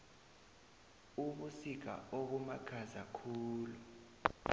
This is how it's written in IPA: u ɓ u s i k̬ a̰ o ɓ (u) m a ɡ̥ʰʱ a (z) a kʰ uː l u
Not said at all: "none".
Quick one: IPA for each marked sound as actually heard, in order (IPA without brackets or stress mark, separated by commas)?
u, z